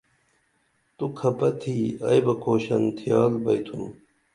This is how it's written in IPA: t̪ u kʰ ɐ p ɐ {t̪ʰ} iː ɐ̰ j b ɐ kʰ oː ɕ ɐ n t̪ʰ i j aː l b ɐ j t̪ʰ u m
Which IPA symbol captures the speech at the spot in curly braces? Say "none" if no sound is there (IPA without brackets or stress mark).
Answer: t̪ʰ